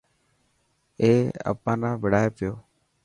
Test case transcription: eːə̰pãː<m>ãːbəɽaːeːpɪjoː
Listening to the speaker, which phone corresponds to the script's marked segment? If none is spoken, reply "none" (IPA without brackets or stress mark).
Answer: n